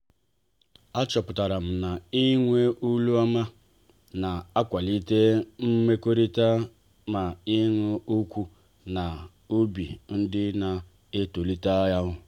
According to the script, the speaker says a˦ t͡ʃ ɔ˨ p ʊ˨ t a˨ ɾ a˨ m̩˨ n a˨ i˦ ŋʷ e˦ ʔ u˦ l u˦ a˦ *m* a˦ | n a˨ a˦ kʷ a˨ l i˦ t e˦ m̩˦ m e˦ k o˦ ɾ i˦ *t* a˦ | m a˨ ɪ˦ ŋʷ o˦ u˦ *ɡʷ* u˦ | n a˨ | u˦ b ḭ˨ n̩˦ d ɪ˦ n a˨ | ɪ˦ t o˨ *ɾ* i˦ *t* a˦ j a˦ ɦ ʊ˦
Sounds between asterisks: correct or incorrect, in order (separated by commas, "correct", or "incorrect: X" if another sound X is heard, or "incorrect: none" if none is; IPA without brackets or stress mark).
correct, correct, incorrect: kʷ, incorrect: l, correct